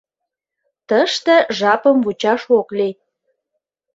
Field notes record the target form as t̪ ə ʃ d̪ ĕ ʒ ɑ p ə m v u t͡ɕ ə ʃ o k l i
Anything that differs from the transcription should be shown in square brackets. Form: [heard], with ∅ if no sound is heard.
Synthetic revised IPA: t̪ ə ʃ [t̪] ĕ ʒ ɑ p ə m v u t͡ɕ [ɑ] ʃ o k l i